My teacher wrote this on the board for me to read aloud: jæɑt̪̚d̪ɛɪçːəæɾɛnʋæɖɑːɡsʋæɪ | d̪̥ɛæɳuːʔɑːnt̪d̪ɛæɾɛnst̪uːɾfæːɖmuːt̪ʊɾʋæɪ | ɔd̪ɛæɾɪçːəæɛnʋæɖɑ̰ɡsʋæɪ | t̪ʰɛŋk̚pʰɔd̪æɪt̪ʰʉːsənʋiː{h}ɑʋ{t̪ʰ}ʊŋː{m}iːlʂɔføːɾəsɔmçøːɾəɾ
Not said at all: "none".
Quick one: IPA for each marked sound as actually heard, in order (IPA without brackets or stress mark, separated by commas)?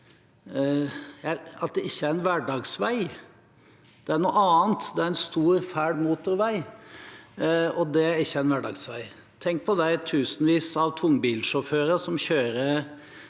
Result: s, t̪ʰ, b